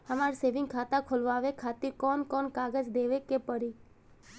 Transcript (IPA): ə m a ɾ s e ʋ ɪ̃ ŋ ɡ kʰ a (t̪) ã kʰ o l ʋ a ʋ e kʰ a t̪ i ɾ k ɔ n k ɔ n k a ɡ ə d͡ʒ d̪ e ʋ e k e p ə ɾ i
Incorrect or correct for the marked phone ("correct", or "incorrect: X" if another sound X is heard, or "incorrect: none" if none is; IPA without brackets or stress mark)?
correct